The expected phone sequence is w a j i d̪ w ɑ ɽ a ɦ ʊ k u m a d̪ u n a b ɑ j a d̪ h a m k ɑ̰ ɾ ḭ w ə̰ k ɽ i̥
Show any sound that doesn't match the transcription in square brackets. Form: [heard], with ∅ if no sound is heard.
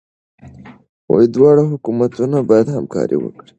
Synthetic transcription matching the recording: w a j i d̪ w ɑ ɽ a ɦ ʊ k u m a [t̪] u n a b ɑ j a d̪ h a m k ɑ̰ ɾ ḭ w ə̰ k ɽ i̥